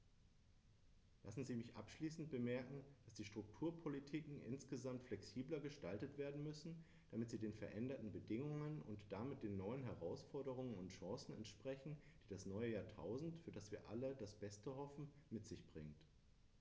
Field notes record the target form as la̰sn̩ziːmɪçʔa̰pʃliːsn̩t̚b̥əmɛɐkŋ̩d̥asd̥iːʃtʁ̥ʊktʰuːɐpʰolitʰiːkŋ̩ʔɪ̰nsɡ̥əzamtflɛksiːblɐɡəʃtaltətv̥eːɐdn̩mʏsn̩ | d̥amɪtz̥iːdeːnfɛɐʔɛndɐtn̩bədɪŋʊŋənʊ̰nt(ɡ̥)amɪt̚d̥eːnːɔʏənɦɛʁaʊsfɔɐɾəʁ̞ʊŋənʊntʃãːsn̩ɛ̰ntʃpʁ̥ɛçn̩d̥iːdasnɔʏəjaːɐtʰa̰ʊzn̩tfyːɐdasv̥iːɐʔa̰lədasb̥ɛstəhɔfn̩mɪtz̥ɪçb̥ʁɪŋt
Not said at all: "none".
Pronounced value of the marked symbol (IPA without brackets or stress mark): d̥